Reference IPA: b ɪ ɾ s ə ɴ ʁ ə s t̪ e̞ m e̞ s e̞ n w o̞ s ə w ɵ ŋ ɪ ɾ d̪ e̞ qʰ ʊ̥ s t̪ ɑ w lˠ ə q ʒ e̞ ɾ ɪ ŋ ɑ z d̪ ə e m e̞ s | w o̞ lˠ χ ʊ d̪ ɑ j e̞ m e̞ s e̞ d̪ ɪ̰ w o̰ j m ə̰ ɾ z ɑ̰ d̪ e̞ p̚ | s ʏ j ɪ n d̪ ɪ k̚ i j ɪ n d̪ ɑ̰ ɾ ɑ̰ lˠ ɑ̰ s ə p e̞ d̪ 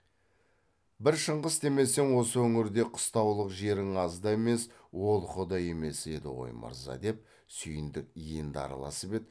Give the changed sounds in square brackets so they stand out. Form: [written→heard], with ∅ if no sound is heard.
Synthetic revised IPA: b ɪ ɾ [s→ʃ] ə ɴ ʁ ə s t̪ e̞ m e̞ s e̞ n w o̞ s ə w ɵ ŋ ɪ ɾ d̪ e̞ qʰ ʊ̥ s t̪ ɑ w lˠ ə q ʒ e̞ ɾ ɪ ŋ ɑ z d̪ [ə→ɑ] e m e̞ s | w o̞ lˠ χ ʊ d̪ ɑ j e̞ m e̞ s e̞ d̪ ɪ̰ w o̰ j m ə̰ ɾ z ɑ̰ d̪ e̞ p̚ | s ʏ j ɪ n d̪ ɪ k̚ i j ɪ n d̪ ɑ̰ ɾ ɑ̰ lˠ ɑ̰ s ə p e̞ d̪